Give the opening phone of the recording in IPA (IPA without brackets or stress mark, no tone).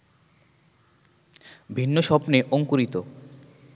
bʱ